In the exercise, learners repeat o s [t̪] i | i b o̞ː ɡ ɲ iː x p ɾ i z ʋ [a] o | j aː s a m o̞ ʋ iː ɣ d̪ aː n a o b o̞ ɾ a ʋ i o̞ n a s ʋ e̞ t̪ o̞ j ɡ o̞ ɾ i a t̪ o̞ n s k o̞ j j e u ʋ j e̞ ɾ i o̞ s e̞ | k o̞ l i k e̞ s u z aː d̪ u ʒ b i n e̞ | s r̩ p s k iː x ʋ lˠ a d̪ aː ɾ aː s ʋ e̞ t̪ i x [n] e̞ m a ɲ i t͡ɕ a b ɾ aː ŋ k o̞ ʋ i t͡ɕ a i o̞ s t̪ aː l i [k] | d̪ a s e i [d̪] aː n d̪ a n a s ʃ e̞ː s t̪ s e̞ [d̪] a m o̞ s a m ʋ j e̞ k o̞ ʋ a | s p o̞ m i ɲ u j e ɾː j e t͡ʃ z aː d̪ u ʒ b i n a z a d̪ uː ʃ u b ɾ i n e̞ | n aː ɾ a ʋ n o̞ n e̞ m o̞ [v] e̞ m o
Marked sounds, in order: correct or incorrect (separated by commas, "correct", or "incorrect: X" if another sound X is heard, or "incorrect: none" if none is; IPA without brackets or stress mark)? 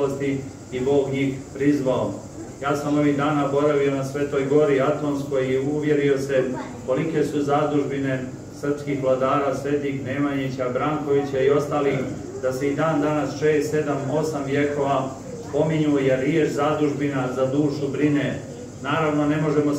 correct, correct, correct, incorrect: x, correct, correct, incorrect: ʒ